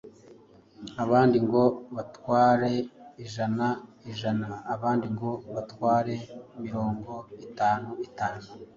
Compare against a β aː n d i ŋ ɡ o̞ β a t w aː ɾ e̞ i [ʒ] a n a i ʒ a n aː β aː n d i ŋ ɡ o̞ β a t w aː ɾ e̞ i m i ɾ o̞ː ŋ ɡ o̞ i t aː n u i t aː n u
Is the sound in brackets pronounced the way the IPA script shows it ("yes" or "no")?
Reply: yes